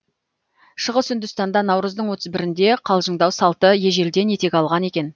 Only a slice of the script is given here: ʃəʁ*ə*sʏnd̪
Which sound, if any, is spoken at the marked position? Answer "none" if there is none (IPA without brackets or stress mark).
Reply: ə